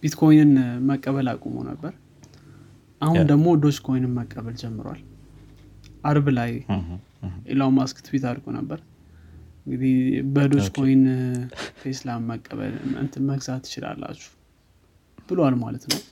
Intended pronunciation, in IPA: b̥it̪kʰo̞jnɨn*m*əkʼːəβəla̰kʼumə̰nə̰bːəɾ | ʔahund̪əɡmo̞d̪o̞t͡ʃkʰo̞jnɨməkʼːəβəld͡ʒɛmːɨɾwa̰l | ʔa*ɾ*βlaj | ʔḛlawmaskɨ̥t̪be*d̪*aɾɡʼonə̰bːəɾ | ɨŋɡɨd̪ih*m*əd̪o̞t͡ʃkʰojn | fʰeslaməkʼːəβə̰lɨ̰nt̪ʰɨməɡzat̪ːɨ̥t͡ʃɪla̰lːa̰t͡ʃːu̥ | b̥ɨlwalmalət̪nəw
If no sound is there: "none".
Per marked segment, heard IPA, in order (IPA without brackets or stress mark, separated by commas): m, ɾ, t̪, b